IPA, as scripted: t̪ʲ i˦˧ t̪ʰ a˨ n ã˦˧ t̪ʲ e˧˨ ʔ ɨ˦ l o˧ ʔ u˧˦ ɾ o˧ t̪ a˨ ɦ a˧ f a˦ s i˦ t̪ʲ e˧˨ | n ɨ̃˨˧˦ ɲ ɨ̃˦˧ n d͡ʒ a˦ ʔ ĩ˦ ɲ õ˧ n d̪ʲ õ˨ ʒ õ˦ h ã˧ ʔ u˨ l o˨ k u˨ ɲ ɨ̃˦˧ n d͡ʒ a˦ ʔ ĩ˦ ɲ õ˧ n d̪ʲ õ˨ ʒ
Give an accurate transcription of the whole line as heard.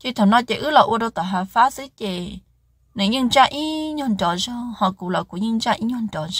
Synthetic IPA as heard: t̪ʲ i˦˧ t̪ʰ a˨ n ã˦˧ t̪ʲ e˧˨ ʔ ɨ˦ l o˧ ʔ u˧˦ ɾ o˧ t̪ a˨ ɦ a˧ f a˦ s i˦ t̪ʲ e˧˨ | n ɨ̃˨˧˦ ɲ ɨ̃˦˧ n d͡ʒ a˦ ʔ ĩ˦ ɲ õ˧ n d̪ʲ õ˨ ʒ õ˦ h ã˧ k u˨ l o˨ k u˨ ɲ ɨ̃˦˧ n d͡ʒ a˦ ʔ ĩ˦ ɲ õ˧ n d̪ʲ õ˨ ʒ